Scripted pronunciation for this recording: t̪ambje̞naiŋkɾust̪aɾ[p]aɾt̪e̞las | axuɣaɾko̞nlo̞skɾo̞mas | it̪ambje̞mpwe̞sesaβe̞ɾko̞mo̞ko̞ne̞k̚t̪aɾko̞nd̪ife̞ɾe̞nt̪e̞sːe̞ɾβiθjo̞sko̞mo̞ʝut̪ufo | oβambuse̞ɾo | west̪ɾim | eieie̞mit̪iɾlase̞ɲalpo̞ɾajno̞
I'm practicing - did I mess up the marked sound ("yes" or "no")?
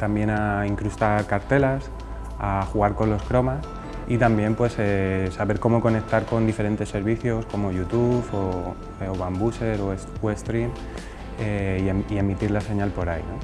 yes